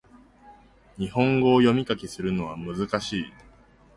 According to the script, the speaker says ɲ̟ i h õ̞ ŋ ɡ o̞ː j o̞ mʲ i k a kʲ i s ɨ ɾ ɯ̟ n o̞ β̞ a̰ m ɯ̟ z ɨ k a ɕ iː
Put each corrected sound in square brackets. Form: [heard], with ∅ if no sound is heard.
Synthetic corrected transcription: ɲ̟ i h õ̞ ŋ ɡ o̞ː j o̞ mʲ i k a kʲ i s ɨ ɾ ɯ̟ n o̞ β̞ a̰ m ɯ̟ z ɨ k a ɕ iː